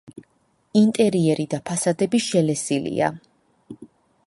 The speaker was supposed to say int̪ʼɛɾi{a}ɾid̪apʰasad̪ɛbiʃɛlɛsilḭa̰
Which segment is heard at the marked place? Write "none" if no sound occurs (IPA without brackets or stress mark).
ɛ